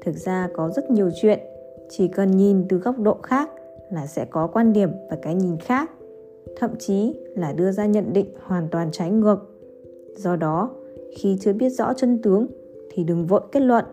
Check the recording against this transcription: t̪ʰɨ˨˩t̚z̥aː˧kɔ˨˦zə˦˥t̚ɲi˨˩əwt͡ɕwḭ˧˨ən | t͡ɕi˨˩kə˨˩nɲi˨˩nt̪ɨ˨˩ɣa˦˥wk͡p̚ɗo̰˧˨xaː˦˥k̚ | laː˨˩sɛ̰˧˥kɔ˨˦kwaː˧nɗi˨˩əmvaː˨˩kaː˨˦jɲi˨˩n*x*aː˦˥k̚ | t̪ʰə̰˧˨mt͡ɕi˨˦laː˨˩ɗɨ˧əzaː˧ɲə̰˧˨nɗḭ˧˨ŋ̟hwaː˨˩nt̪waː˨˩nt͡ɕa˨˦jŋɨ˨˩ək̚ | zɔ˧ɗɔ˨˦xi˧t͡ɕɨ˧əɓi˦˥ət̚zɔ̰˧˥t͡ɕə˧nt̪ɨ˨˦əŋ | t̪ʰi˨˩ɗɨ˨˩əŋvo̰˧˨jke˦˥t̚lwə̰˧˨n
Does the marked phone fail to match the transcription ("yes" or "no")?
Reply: no